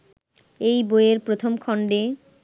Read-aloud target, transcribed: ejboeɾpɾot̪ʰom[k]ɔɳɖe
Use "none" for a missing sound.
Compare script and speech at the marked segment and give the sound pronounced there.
kʰ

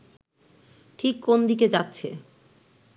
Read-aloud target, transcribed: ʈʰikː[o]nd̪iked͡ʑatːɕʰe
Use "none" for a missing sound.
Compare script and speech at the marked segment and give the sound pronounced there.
o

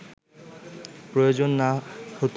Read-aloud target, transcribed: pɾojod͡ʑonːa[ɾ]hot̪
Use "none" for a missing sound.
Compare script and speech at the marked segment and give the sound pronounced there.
none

